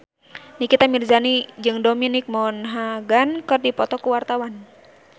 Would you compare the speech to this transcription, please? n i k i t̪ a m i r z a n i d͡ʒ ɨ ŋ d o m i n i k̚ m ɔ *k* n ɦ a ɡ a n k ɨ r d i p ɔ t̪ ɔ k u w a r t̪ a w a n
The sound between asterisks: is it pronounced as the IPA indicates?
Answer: no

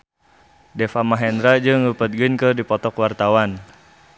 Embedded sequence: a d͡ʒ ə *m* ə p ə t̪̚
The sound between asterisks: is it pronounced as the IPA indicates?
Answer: no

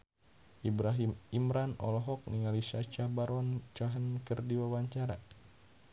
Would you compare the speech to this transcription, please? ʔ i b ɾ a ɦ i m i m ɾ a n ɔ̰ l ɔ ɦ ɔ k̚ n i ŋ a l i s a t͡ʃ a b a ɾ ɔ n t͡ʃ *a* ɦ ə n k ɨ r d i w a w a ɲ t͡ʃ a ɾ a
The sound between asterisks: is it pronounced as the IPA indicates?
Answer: yes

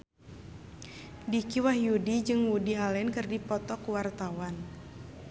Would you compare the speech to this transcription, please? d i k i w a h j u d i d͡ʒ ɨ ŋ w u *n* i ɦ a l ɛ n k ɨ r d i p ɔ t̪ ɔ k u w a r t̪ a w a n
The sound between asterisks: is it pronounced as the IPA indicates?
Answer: no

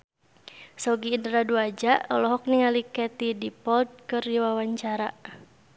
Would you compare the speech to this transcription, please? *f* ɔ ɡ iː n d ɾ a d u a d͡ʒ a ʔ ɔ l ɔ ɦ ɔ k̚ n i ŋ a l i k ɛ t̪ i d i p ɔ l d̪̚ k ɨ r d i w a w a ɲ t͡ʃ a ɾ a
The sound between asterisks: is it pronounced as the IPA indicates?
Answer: no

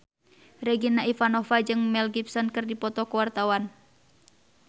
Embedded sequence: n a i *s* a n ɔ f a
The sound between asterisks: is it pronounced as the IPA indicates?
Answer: no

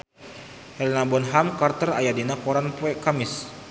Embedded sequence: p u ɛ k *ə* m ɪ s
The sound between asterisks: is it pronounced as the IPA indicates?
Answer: no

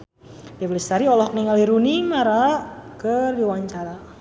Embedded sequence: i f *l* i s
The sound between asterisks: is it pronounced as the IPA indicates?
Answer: yes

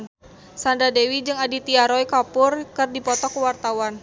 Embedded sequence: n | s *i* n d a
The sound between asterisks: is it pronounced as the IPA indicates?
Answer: no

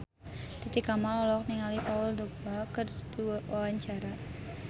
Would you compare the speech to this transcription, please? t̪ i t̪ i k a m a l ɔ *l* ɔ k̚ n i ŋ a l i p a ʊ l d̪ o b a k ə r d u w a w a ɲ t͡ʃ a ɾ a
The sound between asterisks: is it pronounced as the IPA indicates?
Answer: yes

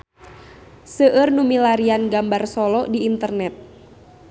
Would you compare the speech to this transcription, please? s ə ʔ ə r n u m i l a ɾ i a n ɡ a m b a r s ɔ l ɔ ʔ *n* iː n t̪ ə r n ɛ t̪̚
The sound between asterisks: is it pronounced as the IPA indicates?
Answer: no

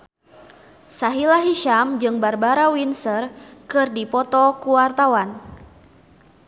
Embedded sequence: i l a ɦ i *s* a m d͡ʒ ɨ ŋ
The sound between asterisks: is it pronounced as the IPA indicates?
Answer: no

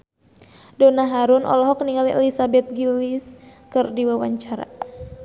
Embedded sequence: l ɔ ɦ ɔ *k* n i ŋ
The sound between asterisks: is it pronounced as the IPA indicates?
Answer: yes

